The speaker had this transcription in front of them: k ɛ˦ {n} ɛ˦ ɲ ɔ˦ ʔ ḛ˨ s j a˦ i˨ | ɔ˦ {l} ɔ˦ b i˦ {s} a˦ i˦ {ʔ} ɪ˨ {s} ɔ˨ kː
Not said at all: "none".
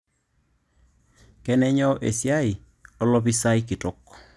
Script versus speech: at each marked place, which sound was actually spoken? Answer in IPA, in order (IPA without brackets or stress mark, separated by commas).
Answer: n, l, s, k, t